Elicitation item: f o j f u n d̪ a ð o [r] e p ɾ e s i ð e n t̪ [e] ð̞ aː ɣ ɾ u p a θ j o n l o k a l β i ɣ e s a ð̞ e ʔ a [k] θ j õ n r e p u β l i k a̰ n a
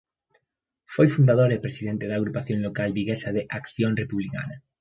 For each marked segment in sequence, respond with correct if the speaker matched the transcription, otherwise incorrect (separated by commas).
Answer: incorrect, correct, correct